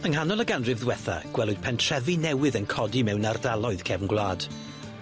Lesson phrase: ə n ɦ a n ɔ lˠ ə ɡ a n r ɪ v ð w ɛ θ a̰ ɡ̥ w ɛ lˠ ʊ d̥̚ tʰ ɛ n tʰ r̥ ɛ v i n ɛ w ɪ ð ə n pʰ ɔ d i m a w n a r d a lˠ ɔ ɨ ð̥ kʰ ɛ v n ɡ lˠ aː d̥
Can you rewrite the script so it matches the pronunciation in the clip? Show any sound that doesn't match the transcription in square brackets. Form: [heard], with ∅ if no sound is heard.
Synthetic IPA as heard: ə [ŋ] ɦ a n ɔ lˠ ə ɡ a n r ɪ v ð w ɛ θ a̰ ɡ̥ w ɛ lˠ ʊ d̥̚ [pʰ] ɛ n tʰ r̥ ɛ v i n ɛ w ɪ ð ə n [kʰ] ɔ d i m [ɛ] w n a r d a lˠ ɔ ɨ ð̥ kʰ ɛ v n ɡ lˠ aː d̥